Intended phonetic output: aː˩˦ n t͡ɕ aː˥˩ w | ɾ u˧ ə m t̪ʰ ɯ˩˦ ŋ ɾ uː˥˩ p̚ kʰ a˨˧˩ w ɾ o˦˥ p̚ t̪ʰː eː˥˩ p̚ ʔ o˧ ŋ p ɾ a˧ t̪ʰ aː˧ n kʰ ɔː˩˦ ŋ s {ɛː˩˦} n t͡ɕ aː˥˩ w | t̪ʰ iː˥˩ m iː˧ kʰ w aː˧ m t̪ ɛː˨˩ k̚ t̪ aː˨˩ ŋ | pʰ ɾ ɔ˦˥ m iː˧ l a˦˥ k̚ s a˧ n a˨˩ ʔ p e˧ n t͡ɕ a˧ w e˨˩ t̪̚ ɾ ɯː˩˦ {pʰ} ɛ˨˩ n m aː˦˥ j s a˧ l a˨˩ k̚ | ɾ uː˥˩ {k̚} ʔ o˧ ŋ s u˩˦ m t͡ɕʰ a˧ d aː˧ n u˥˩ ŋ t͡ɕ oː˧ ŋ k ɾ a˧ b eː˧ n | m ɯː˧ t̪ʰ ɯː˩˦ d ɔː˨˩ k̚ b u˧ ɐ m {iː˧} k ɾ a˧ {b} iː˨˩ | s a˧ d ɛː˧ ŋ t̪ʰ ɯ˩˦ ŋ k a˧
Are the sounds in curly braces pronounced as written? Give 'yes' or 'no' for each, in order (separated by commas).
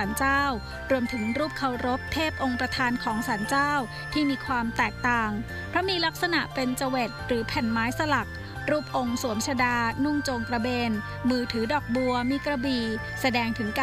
no, yes, no, yes, yes